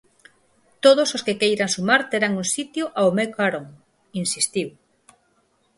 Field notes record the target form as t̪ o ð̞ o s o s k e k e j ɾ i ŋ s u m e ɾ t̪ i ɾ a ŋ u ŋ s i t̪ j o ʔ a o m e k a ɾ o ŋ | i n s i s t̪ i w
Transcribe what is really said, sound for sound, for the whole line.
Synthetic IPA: t̪ o ð̞ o s o s k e k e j ɾ a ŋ s u m a ɾ t̪ e ɾ a ŋ u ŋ s i t̪ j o ʔ a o m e k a ɾ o ŋ | i n s i s t̪ i w